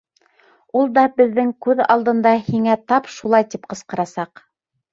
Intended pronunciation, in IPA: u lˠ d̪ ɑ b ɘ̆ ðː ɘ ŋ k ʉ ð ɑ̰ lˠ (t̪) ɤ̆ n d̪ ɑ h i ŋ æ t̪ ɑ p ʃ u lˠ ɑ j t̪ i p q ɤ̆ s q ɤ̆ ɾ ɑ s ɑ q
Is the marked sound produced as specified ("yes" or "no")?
no